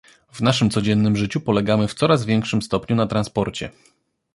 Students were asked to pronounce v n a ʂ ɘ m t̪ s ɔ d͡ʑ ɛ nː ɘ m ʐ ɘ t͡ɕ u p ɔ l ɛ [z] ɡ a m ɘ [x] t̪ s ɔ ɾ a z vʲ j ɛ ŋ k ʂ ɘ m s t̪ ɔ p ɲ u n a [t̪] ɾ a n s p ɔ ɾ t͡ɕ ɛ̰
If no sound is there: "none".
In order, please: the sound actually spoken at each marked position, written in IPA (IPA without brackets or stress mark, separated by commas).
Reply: none, f, t̪